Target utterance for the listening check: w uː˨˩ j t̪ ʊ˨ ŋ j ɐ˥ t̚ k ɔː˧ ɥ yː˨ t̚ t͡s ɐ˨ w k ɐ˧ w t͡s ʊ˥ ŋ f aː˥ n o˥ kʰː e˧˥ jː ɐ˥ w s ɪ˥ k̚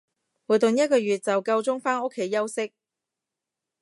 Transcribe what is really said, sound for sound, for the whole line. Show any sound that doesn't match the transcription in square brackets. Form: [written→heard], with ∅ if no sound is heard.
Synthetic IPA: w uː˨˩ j t̪ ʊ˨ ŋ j ɐ˥ t̚ k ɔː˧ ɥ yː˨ t̚ t͡s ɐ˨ w k ɐ˧ w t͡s ʊ˥ ŋ f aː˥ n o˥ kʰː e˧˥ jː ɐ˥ w s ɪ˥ k̚